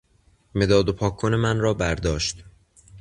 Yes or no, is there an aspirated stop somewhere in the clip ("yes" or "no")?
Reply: yes